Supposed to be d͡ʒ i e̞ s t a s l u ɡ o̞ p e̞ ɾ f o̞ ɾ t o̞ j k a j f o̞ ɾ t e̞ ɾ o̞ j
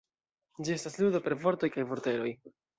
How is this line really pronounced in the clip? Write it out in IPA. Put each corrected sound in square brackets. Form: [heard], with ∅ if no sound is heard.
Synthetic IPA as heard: d͡ʒ i e̞ s t a s l u [d] o̞ p e̞ ɾ [v] o̞ ɾ t o̞ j k a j [v] o̞ ɾ t e̞ ɾ o̞ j